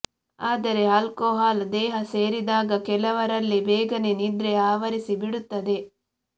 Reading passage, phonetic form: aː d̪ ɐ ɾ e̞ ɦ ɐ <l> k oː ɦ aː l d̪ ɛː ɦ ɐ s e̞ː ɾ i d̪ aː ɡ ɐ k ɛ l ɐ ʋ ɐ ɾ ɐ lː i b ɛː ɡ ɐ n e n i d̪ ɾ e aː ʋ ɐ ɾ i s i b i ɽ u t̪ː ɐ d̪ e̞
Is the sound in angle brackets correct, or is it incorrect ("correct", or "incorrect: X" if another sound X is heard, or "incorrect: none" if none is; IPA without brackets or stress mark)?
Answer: correct